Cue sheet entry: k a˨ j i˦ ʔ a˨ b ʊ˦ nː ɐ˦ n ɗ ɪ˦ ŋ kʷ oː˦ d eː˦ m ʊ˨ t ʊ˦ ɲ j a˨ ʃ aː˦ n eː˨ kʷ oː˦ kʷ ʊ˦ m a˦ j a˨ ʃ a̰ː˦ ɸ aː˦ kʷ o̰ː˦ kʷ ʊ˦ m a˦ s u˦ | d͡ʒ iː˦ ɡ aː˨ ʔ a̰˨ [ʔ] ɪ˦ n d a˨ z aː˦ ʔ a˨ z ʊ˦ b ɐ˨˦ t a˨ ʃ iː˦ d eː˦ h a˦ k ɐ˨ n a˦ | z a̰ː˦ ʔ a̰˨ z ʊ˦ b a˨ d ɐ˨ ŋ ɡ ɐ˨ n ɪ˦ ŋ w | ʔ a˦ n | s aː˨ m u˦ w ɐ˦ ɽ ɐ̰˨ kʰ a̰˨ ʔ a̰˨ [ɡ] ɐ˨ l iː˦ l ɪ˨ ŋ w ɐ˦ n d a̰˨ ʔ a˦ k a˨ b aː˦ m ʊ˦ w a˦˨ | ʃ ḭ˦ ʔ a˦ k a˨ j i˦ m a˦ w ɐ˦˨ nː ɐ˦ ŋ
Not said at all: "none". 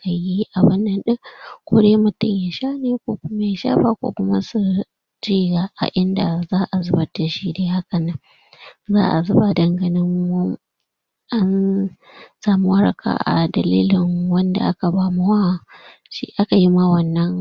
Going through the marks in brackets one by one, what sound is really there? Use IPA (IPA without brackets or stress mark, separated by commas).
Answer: ʔ, d